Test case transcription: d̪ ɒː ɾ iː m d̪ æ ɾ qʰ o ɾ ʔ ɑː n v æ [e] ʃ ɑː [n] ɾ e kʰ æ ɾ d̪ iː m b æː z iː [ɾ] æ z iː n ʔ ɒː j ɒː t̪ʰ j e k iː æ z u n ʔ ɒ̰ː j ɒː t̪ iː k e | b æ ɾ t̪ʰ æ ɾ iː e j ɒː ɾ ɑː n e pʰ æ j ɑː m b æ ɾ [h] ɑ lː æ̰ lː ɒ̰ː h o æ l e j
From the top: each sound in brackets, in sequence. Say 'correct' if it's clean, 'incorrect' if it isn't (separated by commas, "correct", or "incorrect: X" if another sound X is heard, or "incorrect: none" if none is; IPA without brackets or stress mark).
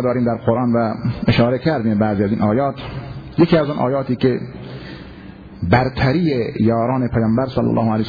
correct, incorrect: none, incorrect: none, incorrect: s